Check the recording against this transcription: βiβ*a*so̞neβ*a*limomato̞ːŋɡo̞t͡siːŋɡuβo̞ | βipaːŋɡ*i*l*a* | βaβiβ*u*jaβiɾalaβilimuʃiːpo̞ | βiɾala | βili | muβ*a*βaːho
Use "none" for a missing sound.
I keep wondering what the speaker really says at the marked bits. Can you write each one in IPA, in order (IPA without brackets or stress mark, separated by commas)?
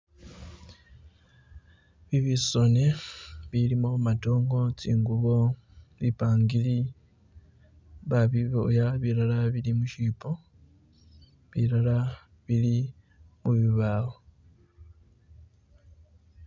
i, i, i, i, o, i